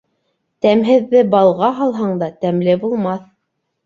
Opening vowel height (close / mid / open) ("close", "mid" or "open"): open